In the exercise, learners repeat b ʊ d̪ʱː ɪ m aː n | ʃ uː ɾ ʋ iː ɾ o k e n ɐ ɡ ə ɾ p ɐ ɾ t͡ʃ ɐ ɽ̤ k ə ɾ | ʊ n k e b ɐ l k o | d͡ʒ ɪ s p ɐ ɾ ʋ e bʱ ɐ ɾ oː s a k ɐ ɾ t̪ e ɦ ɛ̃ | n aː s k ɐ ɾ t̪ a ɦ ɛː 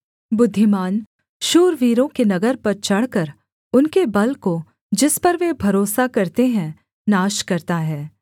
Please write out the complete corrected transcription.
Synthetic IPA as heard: b ʊ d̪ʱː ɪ m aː n | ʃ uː ɾ ʋ iː ɾ õ k e n ɐ ɡ ə ɾ p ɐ ɾ t͡ʃ ɐ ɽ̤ k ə ɾ | ʊ n k e b ɐ l k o | d͡ʒ ɪ s p ɐ ɾ ʋ e bʱ ɐ ɾ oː s a k ɐ ɾ t̪ e ɦ ɛ̃ | n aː ʃ k ɐ ɾ t̪ a ɦ ɛː